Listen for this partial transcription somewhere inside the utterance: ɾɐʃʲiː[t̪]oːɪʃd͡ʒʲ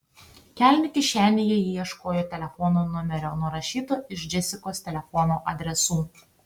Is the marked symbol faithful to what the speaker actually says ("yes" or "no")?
yes